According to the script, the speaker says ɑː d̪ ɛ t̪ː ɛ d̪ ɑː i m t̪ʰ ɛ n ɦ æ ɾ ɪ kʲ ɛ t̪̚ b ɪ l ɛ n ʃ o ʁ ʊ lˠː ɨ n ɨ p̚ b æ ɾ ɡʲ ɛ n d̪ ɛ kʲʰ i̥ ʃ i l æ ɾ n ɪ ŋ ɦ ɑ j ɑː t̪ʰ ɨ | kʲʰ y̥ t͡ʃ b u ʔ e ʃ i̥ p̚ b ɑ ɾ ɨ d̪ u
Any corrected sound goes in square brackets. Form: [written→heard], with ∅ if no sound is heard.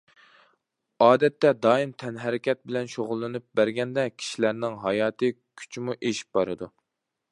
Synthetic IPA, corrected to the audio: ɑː d̪ ɛ t̪ː ɛ d̪ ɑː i m t̪ʰ ɛ n ɦ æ ɾ ɪ kʲ ɛ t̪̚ b ɪ l ɛ n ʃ o ʁ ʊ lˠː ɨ n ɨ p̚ b æ ɾ ɡʲ ɛ n d̪ ɛ kʲʰ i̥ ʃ i l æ ɾ n ɪ ŋ ɦ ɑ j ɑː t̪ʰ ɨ | kʲʰ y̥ t͡ʃ [b→m] u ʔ e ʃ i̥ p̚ b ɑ ɾ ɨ d̪ u